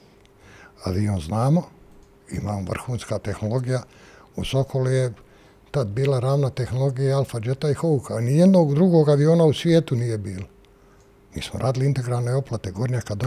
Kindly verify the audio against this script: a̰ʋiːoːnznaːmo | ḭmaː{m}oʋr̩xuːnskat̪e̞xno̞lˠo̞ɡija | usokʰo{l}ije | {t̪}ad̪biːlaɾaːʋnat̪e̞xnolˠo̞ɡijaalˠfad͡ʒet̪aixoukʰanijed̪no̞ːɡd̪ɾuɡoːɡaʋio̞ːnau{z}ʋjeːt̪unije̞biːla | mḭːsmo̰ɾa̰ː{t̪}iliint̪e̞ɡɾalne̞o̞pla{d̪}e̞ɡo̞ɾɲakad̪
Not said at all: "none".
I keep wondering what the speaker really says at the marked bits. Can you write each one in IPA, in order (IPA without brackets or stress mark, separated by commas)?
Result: m, l, t̪, s, d̪, t̪